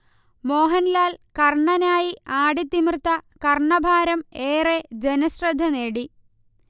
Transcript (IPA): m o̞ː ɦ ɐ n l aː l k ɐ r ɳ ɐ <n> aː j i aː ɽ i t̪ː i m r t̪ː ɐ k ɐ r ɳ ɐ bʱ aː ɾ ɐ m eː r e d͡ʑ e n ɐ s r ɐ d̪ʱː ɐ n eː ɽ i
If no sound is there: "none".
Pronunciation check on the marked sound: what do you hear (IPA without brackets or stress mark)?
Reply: n